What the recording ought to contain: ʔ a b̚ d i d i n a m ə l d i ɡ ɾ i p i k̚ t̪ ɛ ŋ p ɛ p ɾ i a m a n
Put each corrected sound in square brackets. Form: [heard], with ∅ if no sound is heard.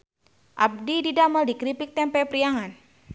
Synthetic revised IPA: ʔ a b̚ d i d i [d] a m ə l d i [k] ɾ i p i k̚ t̪ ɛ [m] p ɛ p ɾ i a [ŋ] a n